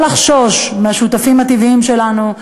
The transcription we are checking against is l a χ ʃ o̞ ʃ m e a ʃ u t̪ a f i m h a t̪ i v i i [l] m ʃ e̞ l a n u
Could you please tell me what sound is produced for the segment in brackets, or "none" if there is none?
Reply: none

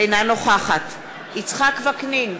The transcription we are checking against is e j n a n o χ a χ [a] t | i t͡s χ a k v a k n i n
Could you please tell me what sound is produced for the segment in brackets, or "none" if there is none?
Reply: a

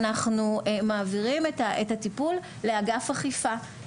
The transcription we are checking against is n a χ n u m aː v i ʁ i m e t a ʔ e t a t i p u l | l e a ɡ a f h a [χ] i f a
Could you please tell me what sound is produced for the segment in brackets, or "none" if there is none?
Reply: χ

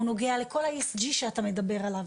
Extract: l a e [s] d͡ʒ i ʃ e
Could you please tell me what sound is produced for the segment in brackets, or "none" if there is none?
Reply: s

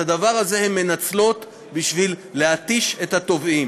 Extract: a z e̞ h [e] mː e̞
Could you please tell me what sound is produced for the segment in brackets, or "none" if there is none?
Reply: e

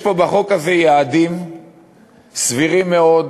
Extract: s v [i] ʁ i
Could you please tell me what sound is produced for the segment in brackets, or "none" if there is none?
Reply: i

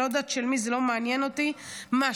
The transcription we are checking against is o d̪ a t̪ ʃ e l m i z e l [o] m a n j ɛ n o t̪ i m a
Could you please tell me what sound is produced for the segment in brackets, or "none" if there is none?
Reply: o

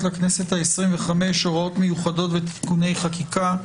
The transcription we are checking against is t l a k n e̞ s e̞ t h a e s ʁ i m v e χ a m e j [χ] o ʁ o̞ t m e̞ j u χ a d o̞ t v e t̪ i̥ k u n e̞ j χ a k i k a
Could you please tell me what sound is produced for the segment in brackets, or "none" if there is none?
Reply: ʃ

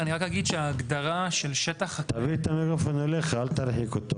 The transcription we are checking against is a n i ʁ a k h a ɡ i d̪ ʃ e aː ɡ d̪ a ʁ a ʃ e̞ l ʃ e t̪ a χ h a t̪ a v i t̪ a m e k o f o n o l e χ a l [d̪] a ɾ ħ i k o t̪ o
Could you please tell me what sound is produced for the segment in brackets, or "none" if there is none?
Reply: t̪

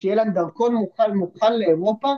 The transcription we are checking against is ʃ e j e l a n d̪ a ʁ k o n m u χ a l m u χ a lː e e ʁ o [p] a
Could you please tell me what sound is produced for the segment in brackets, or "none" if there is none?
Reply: p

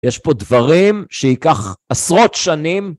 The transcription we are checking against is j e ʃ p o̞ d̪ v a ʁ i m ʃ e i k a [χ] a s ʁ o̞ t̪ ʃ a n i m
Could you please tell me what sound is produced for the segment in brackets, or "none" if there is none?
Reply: χ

